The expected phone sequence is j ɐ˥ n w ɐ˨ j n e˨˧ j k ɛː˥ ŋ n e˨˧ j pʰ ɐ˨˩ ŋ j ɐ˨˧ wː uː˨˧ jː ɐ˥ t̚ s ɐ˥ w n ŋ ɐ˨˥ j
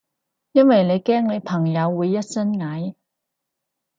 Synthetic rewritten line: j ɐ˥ n w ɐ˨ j n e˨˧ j k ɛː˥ ŋ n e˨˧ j pʰ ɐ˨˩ ŋ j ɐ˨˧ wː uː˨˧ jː ɐ˥ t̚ s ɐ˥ n ŋ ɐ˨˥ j